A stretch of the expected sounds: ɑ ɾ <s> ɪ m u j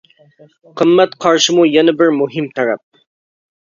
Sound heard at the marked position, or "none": ʃ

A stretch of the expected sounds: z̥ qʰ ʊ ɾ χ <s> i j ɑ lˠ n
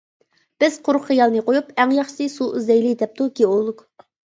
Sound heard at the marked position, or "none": χ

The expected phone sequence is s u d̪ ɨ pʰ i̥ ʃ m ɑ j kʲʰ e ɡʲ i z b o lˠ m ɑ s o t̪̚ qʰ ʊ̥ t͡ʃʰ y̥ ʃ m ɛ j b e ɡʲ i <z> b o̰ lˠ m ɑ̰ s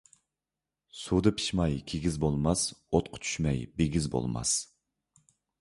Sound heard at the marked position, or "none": z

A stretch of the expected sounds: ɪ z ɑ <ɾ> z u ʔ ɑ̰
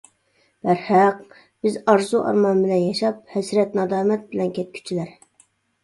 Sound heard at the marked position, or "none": ɾ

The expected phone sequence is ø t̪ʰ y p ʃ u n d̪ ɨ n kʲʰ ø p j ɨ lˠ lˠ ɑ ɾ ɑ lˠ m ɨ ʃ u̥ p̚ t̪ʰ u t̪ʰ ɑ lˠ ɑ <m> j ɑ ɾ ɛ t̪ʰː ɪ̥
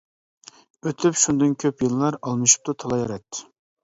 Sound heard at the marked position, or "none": none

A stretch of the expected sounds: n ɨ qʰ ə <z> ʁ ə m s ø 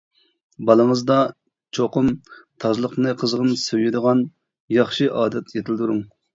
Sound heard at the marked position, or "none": z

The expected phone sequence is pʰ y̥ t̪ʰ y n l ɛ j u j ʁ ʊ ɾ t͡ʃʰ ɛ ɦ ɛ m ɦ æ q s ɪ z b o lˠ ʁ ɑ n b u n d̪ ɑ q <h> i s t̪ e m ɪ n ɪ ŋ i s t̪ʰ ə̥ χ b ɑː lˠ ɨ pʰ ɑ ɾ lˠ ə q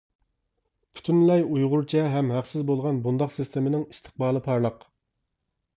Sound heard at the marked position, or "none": s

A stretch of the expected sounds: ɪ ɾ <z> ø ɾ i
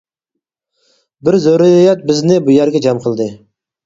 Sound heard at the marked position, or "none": z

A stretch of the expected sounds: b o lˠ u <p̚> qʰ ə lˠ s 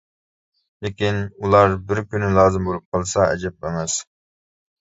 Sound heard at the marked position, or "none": p̚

